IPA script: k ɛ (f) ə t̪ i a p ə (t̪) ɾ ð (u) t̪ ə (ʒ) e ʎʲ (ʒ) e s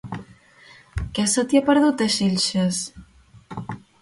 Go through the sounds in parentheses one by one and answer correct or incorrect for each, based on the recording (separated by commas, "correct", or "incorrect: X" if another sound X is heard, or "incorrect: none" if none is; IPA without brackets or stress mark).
incorrect: s, incorrect: none, correct, incorrect: ʃ, incorrect: ʃ